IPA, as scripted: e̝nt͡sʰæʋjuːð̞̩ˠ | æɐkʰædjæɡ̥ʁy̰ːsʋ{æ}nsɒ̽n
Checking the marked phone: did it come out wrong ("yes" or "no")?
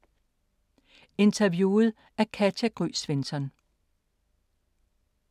yes